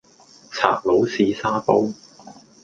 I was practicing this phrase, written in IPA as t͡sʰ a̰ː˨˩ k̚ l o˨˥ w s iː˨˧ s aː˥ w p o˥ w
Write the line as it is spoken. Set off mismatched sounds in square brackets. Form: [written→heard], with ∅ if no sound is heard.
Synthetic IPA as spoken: t͡sʰ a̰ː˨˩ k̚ l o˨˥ w s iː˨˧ s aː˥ [w→∅] p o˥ w